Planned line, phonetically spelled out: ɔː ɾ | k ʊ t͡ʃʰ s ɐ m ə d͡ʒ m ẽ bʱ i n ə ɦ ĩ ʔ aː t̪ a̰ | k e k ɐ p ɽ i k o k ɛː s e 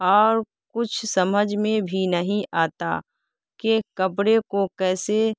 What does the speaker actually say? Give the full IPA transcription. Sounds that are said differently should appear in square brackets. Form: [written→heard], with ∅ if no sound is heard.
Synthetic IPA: ɔː ɾ | k ʊ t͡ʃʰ s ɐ m ə d͡ʒ m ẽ bʱ i n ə ɦ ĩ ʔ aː t̪ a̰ | k e k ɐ p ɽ [i→e] k o k ɛː s e

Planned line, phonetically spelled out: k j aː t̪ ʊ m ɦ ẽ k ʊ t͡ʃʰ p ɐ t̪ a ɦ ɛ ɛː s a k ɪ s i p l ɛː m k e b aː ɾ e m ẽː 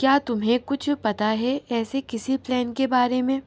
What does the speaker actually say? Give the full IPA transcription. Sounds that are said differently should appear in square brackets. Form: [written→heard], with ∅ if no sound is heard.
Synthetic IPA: k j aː t̪ ʊ m ɦ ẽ k ʊ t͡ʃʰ p ɐ t̪ a ɦ ɛ ɛː s [a→e] k ɪ s i p l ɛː [m→n] k e b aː ɾ e m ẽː

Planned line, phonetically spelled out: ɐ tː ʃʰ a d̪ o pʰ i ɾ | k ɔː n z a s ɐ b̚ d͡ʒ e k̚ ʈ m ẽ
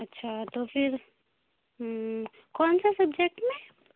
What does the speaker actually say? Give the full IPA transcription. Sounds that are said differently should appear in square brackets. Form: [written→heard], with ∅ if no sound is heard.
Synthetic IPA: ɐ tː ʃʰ a [d̪→t̪] o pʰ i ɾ | k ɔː n [z→s] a s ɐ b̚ d͡ʒ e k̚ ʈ m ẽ

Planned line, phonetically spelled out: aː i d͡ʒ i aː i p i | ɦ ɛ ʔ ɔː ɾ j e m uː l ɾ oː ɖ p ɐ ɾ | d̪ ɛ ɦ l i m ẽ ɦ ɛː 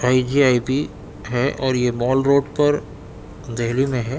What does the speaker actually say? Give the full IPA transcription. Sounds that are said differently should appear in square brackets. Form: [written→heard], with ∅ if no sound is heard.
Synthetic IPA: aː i d͡ʒ i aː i p i | ɦ ɛ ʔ ɔː ɾ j e m [uː→ɔː] l ɾ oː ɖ p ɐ ɾ | d̪ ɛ ɦ l i m ẽ ɦ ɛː

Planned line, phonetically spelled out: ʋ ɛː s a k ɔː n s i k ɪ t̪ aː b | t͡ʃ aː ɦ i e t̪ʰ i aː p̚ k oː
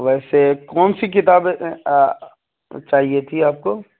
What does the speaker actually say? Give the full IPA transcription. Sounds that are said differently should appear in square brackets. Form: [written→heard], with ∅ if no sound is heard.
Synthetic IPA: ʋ ɛː s [a→e] k ɔː n s i k ɪ t̪ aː b | t͡ʃ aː ɦ i e t̪ʰ i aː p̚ k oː

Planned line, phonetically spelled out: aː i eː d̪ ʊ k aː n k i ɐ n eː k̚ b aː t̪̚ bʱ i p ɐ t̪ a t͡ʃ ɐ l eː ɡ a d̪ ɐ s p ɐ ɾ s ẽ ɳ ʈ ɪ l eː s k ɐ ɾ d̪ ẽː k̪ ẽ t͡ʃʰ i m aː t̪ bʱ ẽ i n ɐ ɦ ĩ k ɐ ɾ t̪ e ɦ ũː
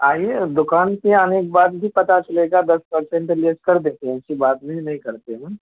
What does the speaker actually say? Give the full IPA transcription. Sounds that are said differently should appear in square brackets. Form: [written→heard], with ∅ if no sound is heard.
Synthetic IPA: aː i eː d̪ ʊ k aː n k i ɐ n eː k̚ b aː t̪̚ bʱ i p ɐ t̪ a t͡ʃ ɐ l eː ɡ a d̪ ɐ s p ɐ ɾ s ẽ ɳ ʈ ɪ l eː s k ɐ ɾ d̪ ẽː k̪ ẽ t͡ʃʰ i [m→b] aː t̪ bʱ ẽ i n ɐ ɦ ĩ k ɐ ɾ t̪ e ɦ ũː

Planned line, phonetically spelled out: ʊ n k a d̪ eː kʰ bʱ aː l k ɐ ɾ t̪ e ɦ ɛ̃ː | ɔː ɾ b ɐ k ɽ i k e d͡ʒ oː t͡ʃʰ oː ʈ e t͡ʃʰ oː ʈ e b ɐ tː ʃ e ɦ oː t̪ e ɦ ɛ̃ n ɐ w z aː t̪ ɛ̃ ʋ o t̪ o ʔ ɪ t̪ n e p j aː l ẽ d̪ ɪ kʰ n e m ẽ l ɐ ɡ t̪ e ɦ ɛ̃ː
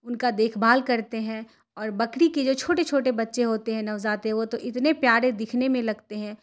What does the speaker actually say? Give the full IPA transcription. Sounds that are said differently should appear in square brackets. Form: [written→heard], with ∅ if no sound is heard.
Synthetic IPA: ʊ n k a d̪ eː kʰ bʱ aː l k ɐ ɾ t̪ e ɦ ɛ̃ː | ɔː ɾ b ɐ k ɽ i k e d͡ʒ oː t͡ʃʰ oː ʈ e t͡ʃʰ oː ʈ e b ɐ tː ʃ e ɦ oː t̪ e ɦ ɛ̃ n ɐ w z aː t̪ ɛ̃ ʋ o t̪ o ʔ ɪ t̪ n e p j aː [l→ɾ] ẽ d̪ ɪ kʰ n e m ẽ l ɐ ɡ t̪ e ɦ ɛ̃ː

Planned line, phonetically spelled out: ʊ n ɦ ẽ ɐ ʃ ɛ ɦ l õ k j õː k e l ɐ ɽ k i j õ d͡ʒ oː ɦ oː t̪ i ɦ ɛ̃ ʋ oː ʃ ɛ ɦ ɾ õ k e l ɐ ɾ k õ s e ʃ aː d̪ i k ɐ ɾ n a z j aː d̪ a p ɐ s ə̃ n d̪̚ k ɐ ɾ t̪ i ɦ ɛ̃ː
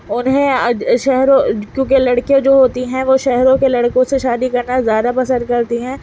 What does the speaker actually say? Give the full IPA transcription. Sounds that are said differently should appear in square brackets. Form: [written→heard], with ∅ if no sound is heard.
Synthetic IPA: ʊ n ɦ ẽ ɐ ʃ ɛ ɦ [l→ɾ] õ k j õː k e l ɐ ɽ k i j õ d͡ʒ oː ɦ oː t̪ i ɦ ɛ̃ ʋ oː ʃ ɛ ɦ ɾ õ k e l ɐ [ɾ→ɽ] k õ s e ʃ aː d̪ i k ɐ ɾ n a z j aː d̪ a p ɐ s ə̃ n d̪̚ k ɐ ɾ t̪ i ɦ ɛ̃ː

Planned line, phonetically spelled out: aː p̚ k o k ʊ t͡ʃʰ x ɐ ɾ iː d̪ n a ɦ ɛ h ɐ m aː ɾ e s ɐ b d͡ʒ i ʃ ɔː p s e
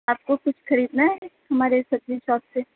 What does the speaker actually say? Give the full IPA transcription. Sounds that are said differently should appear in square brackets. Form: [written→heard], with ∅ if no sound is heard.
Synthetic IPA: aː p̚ k o k ʊ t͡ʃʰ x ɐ ɾ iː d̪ n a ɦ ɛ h ɐ m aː ɾ e s ɐ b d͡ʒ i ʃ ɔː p s e

